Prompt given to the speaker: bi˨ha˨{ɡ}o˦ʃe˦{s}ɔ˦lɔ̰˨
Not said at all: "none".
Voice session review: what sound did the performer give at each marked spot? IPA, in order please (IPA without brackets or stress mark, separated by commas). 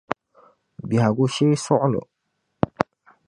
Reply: ɡ, s